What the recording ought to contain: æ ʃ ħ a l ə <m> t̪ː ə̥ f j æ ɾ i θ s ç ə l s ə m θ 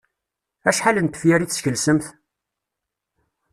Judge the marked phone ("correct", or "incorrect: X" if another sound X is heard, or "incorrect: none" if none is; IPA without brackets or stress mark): incorrect: n